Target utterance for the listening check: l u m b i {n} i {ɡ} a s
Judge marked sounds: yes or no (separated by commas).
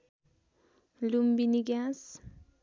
yes, yes